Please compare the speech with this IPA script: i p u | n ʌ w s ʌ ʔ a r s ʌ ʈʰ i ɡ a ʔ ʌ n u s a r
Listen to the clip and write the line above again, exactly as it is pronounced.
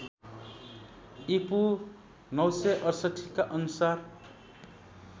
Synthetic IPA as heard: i p u | n ʌ w s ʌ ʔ ʌ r s ʌ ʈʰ i k a ʔ ʌ n u s a r